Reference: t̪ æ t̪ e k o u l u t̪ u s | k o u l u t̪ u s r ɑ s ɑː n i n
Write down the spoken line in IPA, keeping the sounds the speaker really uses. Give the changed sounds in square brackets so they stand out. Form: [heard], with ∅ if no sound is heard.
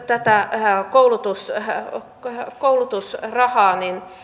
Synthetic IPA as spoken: t̪ æ t̪ [æ] k o u l u t̪ u s | k o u l u t̪ u s r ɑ [h] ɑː n i n